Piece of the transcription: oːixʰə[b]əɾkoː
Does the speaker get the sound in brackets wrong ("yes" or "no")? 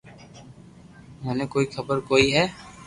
no